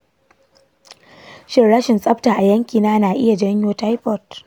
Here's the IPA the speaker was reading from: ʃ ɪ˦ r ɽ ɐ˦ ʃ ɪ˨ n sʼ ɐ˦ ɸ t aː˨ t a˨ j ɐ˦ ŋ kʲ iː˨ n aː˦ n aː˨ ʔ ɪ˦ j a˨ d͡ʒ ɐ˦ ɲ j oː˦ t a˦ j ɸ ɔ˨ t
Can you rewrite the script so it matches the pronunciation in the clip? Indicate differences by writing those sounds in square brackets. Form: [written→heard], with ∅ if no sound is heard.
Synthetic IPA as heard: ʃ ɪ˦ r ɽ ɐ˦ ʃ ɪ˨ n sʼ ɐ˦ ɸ t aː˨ [t→ʔ] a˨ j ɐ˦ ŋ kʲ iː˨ n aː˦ n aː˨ ʔ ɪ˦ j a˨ d͡ʒ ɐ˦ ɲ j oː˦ t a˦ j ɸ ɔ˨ t